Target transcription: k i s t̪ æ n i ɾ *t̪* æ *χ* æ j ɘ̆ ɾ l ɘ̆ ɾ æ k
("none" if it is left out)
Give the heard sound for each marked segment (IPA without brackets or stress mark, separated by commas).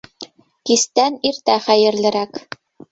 t̪, χ